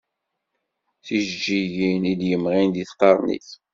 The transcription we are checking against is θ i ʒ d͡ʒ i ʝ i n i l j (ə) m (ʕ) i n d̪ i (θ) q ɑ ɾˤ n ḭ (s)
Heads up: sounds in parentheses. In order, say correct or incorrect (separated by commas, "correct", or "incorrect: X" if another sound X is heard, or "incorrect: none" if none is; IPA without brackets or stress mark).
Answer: correct, incorrect: ʁ, correct, incorrect: θ